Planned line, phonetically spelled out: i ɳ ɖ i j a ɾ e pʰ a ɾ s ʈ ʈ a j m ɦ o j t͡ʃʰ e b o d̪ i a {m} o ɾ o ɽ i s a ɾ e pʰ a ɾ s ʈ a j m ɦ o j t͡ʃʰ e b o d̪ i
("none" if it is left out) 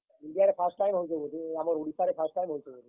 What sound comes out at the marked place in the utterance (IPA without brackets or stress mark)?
m